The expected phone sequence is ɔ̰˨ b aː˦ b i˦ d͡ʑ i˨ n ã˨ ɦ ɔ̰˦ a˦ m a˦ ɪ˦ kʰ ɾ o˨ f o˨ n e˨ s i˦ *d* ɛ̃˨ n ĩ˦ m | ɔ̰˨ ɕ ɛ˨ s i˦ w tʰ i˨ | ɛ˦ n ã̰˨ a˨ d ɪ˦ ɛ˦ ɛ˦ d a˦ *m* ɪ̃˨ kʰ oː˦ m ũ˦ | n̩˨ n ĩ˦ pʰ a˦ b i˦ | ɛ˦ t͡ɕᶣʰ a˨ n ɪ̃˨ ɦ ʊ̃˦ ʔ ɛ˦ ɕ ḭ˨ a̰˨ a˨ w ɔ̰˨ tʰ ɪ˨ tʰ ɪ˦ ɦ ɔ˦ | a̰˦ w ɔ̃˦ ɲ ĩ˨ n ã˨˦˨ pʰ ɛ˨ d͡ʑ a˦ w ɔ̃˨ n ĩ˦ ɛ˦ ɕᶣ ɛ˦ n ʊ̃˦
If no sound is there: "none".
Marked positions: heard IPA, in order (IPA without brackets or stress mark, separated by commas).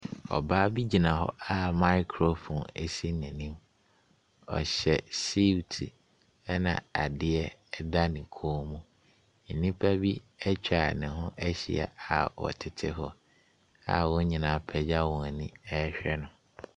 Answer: n, n